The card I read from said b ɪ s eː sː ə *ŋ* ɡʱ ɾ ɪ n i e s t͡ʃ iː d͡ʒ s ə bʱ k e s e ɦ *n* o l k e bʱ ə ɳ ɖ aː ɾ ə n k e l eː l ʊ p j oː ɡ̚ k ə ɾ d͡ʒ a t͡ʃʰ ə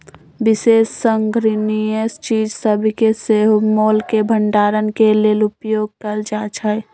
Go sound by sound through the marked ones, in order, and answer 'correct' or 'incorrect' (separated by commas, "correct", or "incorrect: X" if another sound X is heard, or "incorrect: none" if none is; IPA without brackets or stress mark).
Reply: correct, incorrect: m